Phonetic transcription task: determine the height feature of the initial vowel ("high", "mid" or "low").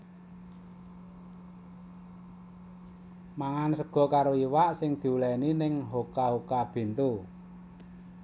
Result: low